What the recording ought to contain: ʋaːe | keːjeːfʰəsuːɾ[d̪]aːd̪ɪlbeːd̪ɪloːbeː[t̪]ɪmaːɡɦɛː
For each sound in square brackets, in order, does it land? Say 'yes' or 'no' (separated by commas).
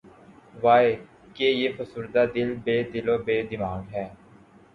yes, no